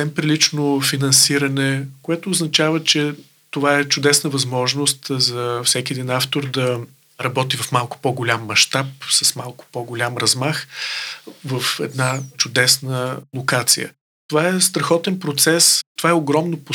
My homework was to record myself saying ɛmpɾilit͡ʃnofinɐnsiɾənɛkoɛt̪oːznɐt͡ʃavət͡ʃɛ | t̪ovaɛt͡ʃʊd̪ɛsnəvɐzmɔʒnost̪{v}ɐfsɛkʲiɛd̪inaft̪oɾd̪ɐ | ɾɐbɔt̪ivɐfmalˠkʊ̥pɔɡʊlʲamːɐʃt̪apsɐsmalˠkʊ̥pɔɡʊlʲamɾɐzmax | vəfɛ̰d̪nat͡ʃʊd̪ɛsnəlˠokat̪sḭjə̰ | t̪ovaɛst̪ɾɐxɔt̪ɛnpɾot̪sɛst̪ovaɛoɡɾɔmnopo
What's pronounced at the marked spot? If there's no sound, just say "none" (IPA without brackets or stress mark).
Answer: z